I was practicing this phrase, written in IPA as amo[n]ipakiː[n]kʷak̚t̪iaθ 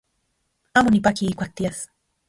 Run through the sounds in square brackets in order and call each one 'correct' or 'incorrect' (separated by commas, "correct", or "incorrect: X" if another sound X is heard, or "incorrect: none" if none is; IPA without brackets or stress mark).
correct, incorrect: none